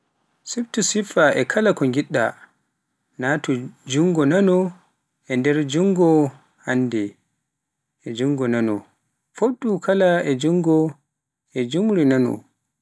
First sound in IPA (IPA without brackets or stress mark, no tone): s